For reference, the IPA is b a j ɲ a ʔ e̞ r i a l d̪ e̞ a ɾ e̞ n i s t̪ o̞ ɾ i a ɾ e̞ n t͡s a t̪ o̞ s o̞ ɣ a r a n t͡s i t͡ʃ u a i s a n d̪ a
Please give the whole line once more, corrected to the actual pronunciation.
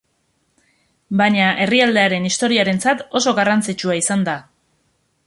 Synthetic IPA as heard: b a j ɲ a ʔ e̞ r i a l d̪ e̞ a ɾ e̞ n i s t̪ o̞ ɾ i a ɾ e̞ n t͡s a t̪ o̞ s o̞ ɣ a r a n t͡s i t͡ʃ u a i s a n d̪ a